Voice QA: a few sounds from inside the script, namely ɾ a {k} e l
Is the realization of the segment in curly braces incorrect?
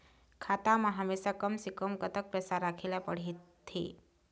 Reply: yes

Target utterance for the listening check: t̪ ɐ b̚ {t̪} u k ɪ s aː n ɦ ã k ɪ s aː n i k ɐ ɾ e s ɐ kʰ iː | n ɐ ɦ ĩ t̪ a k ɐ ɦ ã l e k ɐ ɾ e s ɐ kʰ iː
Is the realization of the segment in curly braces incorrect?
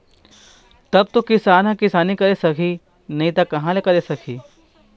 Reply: no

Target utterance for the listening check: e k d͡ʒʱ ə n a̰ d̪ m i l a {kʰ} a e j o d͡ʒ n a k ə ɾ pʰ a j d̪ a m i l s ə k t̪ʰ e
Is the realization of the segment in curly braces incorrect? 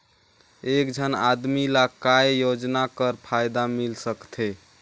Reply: yes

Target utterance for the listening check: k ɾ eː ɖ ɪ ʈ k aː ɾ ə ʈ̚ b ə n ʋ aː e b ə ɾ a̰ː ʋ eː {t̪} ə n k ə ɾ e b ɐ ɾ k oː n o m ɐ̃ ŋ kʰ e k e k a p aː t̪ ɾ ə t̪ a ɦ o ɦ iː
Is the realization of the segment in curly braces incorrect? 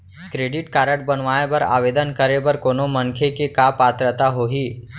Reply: yes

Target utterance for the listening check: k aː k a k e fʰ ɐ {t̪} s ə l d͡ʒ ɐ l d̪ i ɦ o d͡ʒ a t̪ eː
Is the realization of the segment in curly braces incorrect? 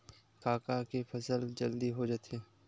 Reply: yes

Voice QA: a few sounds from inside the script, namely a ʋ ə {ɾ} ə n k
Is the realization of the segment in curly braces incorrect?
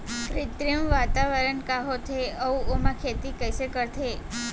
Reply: no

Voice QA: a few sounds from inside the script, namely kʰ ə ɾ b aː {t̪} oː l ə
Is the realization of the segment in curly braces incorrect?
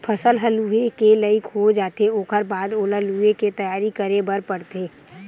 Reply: yes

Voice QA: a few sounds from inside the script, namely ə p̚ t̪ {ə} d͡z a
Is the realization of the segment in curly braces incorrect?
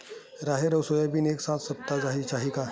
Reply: yes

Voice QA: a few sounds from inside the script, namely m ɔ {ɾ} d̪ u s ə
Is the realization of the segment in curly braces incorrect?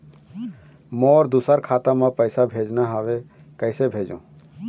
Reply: no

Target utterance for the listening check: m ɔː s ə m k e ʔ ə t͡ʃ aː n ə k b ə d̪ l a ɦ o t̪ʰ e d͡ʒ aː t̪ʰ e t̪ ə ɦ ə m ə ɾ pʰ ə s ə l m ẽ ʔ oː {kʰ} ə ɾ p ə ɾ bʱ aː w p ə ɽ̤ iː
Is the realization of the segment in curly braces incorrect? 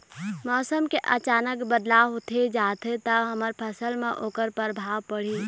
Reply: yes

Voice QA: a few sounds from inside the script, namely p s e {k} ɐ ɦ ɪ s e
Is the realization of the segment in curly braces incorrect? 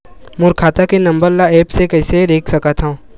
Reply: no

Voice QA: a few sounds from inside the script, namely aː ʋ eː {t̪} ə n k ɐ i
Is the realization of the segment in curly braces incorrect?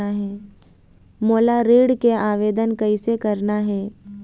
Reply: yes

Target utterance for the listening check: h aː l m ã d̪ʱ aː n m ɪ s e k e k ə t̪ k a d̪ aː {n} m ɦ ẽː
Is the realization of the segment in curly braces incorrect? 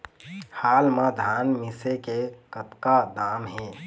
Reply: yes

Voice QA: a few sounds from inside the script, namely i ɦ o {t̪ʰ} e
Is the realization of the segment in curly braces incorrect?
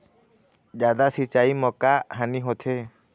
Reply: no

